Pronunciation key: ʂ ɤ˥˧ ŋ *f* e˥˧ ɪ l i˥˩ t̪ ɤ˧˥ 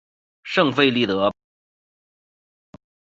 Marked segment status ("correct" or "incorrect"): correct